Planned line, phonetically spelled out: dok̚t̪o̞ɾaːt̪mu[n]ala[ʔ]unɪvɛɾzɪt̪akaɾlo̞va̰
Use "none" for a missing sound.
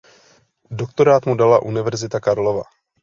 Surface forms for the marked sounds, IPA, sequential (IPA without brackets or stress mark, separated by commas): d, ʔ